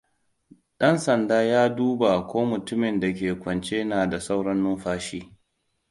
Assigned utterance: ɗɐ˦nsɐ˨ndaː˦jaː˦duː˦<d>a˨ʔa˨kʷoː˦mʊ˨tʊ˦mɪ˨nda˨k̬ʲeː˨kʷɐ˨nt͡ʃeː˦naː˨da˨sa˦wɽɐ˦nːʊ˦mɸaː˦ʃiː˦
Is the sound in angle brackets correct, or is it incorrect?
incorrect